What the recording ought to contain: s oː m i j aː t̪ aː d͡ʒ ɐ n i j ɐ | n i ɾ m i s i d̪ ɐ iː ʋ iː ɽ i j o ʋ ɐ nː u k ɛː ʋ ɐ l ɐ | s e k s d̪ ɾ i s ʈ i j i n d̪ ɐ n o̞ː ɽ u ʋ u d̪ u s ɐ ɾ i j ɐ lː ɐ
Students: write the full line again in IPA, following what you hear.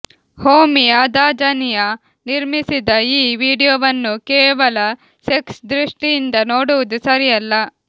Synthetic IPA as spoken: h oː m i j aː d̪ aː d͡ʒ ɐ n i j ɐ | n i ɾ m i s i d̪ ɐ iː ʋ iː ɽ i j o ʋ ɐ nː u k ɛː ʋ ɐ l ɐ | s e k s d̪ ɾ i ʂ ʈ i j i n d̪ ɐ n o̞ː ɽ u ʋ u d̪ u s ɐ ɾ i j ɐ lː ɐ